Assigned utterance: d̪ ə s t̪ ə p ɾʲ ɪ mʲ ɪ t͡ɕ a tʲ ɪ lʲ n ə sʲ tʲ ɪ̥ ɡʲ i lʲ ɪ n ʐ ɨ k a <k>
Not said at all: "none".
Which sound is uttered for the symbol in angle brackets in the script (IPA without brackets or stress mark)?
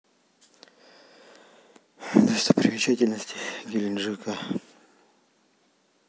none